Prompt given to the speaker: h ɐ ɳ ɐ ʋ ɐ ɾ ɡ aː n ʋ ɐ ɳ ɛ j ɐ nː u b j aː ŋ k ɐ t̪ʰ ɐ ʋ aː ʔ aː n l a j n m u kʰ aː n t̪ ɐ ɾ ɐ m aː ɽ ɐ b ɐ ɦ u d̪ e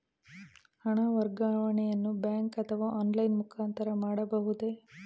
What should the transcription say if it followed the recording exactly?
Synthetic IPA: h ɐ ɳ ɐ ʋ ɐ ɾ ɡ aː ʋ ɐ ɳ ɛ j ɐ nː u b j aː ŋ k ɐ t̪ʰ ɐ ʋ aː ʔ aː n l ɐ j n m u kʰ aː n t̪ ɐ ɾ ɐ m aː ɽ ɐ b ɐ ɦ u d̪ e

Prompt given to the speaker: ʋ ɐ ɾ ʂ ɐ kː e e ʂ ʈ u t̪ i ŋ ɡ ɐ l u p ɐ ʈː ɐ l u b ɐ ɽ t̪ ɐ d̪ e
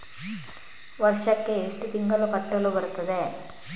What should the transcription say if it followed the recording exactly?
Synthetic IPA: ʋ ɐ ɾ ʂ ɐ kː e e ʂ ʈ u t̪ i ŋ ɡ ɐ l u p ɐ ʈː ɐ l u b ɐ ɾ t̪ ɐ d̪ e

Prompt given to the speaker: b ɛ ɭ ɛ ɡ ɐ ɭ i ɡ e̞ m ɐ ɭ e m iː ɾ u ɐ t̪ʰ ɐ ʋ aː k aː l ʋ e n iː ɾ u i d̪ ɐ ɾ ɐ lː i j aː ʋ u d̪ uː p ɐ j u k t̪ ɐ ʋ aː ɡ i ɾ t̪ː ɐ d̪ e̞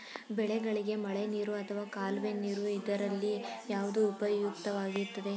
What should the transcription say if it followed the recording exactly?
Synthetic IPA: b ɛ ɭ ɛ ɡ ɐ ɭ i ɡ e̞ m ɐ ɭ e n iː ɾ u ɐ t̪ʰ ɐ ʋ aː k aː l ʋ e n iː ɾ u i d̪ ɐ ɾ ɐ lː i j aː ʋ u d̪ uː p ɐ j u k t̪ ɐ ʋ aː ɡ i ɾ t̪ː ɐ d̪ e̞

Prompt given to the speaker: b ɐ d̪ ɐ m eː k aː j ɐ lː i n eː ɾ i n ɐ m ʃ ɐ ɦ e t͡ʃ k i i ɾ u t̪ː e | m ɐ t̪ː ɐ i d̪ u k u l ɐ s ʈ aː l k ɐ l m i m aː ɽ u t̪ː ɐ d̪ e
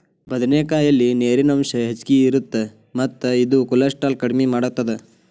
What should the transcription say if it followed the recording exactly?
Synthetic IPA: b ɐ d̪ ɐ n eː k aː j ɐ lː i n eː ɾ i n ɐ m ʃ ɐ ɦ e t͡ʃ k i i ɾ u t̪ː e | m ɐ t̪ː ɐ i d̪ u k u l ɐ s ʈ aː l k ɐ ɽ m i m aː ɽ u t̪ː ɐ d̪ e

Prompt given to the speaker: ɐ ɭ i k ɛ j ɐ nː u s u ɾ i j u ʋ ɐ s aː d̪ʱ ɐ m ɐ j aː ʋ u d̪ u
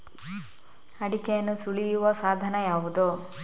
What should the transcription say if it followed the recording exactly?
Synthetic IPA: ɐ ɽ i k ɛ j ɐ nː u s u ɭ i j u ʋ ɐ s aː d̪ʱ ɐ n ɐ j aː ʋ u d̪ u

